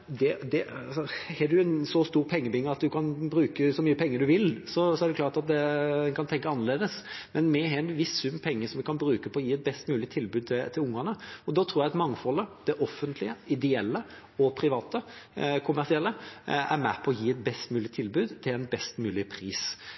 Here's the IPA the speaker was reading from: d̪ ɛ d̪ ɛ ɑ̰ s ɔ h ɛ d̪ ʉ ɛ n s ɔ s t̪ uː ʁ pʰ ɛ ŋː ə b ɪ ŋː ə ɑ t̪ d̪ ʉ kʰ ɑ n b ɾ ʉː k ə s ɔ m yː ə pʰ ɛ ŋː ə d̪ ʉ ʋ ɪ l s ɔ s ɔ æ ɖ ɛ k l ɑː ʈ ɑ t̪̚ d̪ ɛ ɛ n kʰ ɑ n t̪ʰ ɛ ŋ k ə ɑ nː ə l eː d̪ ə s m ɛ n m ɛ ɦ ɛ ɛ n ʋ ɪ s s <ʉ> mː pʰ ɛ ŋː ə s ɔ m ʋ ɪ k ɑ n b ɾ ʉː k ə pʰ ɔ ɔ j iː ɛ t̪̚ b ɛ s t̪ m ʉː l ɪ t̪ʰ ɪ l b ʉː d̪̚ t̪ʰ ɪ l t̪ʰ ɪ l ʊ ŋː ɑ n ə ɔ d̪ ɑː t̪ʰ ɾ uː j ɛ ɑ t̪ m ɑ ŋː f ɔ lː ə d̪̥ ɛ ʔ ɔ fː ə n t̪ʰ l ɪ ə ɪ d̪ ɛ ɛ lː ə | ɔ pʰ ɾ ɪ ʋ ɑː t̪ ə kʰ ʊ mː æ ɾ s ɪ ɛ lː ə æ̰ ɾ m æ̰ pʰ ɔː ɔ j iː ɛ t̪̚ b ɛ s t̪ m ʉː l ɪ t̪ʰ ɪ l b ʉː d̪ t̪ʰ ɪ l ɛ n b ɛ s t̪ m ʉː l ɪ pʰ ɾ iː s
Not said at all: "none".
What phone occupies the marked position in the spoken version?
ʉ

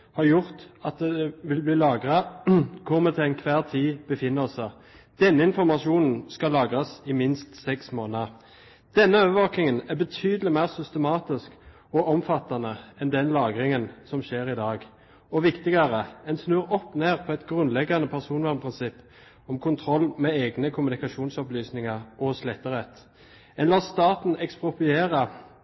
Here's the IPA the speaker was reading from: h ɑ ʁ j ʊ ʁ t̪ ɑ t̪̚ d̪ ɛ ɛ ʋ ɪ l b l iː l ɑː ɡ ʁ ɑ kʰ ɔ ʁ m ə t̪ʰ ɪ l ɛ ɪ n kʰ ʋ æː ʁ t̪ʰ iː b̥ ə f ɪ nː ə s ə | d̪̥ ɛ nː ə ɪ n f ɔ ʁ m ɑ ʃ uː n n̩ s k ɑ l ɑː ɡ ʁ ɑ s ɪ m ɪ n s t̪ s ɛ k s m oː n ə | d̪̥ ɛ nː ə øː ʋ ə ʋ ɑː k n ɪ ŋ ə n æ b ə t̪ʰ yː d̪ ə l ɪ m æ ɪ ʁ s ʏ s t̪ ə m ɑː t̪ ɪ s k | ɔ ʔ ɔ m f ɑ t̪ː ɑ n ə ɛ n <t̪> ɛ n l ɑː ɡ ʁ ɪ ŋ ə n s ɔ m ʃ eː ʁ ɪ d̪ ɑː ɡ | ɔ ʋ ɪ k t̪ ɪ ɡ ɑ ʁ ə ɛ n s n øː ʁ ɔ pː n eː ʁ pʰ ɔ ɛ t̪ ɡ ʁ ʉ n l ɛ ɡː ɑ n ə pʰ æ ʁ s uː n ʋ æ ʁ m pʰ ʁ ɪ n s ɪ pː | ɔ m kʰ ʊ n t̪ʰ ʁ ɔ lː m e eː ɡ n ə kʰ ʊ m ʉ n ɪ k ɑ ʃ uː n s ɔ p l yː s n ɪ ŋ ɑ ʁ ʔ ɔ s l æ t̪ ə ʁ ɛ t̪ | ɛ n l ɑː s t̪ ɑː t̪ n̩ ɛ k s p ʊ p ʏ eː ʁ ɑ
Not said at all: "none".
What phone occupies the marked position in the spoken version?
d̪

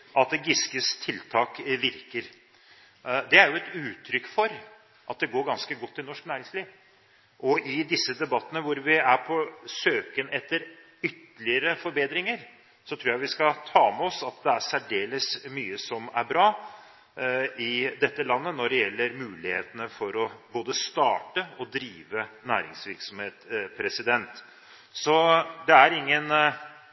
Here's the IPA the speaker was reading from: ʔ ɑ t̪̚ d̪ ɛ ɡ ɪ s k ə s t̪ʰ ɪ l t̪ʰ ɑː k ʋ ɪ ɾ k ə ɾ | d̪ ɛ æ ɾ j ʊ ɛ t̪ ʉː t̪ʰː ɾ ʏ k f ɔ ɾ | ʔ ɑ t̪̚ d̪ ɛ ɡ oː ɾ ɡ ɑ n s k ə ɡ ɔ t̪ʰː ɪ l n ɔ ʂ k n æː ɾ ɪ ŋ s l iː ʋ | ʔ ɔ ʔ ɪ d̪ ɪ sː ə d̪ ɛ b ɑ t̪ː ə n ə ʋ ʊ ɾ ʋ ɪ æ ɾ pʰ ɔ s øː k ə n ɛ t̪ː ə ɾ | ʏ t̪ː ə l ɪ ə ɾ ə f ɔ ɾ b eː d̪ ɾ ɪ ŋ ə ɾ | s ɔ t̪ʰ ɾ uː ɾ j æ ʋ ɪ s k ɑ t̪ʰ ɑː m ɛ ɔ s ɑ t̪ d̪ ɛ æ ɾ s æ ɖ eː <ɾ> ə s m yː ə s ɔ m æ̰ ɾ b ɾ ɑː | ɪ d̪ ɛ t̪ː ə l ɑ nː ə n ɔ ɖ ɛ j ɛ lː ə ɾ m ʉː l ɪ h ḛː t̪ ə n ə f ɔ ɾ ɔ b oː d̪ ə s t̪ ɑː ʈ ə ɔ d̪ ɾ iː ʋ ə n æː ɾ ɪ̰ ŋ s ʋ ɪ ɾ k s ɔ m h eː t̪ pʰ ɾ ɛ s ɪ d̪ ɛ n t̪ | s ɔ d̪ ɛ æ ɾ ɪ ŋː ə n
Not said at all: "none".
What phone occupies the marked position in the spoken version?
l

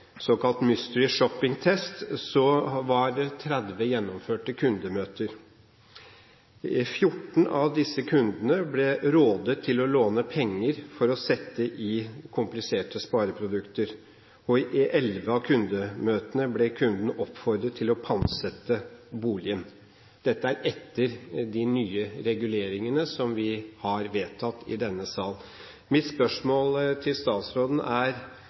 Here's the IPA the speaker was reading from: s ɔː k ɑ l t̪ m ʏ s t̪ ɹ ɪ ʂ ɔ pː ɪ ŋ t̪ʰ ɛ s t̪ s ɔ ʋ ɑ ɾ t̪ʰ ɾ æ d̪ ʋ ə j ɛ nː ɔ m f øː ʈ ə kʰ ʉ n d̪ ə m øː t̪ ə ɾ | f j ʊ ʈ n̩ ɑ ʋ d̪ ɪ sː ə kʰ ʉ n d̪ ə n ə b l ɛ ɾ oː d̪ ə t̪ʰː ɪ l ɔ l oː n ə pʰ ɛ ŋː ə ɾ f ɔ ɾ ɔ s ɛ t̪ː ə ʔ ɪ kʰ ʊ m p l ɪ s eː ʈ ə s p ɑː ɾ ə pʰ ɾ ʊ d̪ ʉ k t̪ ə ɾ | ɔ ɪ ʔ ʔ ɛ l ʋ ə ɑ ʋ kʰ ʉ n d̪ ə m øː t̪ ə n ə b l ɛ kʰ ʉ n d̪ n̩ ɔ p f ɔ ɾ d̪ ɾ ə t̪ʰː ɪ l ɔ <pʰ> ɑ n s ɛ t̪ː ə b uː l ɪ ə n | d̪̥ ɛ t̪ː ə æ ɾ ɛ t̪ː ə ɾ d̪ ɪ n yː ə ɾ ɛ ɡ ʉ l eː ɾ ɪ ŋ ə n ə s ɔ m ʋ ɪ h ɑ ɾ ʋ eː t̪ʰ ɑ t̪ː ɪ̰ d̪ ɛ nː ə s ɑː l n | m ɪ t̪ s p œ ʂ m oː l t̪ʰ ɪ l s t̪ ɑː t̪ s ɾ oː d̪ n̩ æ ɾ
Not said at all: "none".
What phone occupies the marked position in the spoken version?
pʰ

